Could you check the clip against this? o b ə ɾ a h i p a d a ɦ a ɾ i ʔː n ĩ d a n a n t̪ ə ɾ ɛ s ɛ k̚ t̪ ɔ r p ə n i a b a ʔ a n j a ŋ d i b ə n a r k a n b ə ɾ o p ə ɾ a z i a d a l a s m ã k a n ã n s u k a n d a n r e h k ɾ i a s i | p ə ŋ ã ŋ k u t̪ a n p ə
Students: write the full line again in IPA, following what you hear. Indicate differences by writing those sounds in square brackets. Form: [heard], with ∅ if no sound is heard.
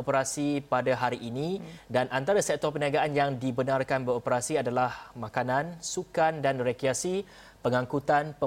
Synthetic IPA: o [p] ə ɾ a [s] i p a d a ɦ a ɾ i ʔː n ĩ d a n a n t̪ [a] ɾ [a] s ɛ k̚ t̪ ɔ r p ə n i a [ɡ] a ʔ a n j a ŋ d i b ə n a r k a n b ə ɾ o p ə ɾ a [s] i a d a l a [h] m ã k a n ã n s u k a n d a n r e [∅] k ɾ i a s i | p ə ŋ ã ŋ k u t̪ a n p ə